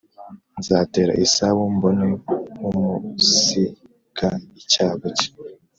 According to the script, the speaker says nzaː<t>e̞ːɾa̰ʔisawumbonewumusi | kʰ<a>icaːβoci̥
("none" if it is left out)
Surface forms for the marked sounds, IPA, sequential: t, a

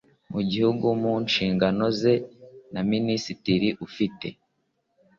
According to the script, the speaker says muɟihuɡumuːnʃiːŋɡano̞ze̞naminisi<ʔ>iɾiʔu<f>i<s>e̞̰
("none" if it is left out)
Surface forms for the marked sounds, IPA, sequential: t, f, t

